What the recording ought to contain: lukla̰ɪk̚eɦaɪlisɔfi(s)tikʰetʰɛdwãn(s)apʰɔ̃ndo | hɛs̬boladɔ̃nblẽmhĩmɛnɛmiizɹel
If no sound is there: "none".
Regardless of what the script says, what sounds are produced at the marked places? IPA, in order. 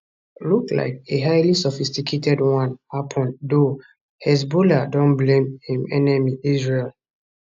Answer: s, h

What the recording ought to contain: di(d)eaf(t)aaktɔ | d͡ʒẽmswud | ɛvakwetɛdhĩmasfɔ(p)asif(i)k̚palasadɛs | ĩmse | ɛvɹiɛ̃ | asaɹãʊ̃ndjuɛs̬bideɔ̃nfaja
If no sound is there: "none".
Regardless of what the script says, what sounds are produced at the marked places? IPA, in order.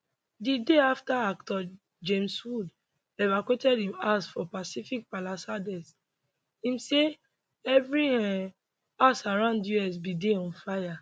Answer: d, t, p, i

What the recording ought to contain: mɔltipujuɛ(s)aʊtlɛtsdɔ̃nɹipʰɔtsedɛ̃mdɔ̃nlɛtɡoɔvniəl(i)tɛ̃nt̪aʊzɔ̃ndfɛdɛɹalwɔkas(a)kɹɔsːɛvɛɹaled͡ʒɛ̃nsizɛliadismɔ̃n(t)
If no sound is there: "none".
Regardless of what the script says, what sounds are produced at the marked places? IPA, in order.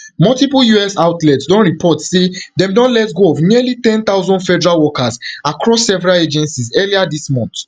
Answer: s, i, a, t

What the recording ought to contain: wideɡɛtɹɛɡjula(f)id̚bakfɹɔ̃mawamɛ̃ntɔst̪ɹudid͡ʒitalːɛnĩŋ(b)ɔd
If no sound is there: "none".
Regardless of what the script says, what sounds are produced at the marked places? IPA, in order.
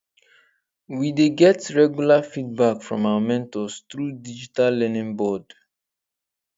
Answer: f, b

